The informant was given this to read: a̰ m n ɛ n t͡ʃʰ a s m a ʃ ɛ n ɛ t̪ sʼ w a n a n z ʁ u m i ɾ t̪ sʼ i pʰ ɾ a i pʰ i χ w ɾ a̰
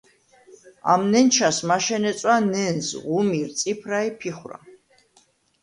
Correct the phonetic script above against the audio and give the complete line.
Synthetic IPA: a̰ m n ɛ n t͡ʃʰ a s m a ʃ ɛ n ɛ t̪ sʼ w a n ɛ n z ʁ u m i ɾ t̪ sʼ i pʰ ɾ a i pʰ i χ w ɾ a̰